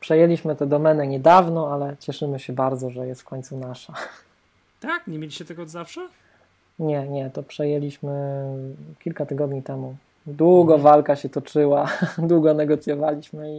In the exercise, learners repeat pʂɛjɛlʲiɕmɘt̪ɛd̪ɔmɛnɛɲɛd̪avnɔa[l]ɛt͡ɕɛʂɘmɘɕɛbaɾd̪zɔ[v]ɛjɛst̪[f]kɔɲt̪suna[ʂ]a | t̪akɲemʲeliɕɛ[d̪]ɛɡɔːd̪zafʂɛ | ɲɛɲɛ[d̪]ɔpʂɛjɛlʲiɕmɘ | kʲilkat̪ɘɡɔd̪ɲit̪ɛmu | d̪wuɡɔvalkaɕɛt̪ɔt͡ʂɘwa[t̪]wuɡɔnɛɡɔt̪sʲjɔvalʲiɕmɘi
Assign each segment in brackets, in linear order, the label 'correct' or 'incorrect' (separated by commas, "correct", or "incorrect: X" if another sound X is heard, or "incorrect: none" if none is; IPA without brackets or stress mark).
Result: correct, incorrect: ʐ, correct, correct, incorrect: t̪, incorrect: t̪, incorrect: d̪